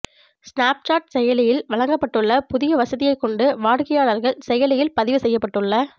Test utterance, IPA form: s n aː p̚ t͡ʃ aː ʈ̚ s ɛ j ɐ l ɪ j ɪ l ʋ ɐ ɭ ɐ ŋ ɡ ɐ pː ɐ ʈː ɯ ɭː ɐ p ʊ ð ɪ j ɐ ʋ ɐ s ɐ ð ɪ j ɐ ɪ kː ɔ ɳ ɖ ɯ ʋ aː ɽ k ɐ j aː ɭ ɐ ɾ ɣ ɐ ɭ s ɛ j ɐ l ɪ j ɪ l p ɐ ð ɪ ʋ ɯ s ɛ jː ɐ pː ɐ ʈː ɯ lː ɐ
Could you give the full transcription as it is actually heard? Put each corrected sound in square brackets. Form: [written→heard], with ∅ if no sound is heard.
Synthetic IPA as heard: s n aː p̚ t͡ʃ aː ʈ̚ s ɛ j ɐ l ɪ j ɪ l ʋ ɐ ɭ ɐ ŋ ɡ ɐ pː ɐ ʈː ɯ ɭː ɐ p ʊ ð ɪ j ɐ ʋ ɐ s ɐ ð ɪ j ɐ ɪ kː ɔ ɳ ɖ ɯ ʋ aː ɽ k ɐ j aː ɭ ɐ ɾ ɣ ɐ ɭ s ɛ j ɐ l ɪ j ɪ l p ɐ ð ɪ ʋ ɯ s ɛ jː ɐ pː ɐ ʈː ɯ [lː→ɭː] ɐ